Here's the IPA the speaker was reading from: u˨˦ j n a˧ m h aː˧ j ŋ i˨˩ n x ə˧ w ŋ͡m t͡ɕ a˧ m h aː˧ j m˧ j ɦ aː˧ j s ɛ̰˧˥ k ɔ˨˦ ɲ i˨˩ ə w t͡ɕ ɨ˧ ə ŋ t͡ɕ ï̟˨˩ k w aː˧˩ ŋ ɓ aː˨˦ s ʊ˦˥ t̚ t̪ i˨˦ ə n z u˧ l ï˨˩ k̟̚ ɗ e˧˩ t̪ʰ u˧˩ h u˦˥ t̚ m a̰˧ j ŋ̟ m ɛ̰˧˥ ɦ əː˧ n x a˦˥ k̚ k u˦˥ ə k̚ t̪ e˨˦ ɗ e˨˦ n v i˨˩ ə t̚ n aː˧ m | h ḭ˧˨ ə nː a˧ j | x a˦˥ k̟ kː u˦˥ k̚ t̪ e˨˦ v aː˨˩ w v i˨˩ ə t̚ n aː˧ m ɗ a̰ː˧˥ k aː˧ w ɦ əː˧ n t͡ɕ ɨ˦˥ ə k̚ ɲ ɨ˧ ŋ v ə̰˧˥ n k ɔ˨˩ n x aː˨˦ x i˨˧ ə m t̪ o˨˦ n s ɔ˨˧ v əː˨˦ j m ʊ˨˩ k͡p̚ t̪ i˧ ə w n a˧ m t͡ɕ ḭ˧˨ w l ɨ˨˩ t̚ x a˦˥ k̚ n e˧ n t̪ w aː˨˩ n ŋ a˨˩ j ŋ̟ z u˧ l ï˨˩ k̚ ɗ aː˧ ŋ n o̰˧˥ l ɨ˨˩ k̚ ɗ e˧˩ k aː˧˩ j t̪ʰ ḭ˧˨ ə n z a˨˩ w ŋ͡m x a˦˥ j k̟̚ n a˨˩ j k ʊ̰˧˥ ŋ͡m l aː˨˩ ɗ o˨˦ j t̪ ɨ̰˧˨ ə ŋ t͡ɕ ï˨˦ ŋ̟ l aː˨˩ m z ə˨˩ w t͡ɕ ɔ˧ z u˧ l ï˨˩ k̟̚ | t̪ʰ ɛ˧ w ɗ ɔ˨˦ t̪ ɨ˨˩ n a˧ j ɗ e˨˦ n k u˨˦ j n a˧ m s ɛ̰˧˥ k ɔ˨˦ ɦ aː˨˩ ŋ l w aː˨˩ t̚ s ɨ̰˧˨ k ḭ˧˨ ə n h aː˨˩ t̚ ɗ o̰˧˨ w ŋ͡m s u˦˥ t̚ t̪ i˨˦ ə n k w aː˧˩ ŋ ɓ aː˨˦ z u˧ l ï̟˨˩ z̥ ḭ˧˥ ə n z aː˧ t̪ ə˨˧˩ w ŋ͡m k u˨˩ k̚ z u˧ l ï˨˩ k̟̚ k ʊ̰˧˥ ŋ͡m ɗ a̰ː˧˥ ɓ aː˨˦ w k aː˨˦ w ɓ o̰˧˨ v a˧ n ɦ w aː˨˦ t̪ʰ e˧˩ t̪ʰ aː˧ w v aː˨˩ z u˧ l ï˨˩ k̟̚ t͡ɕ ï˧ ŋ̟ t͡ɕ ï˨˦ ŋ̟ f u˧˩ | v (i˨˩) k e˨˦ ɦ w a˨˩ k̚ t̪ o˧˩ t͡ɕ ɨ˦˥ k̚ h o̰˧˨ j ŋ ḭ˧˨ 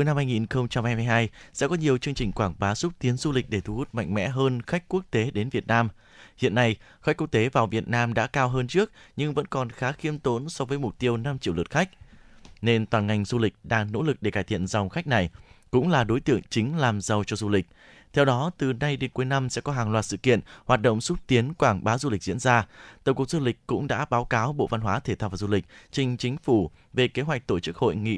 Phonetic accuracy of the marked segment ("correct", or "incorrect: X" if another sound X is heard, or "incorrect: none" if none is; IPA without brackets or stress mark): incorrect: e˨˩